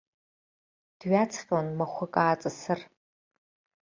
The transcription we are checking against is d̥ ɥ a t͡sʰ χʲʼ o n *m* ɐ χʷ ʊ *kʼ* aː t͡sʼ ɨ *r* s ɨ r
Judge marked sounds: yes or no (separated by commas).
yes, yes, no